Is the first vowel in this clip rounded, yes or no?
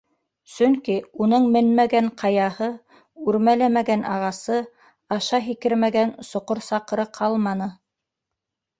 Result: yes